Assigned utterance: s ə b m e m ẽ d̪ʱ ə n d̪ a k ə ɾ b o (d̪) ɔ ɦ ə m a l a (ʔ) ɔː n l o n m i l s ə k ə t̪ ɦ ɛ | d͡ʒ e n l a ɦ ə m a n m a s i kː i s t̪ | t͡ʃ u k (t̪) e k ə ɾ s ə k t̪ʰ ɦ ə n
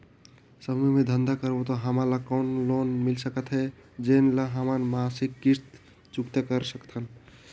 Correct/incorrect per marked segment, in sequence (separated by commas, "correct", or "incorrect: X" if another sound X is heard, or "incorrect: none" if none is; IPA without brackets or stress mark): incorrect: t̪, incorrect: k, correct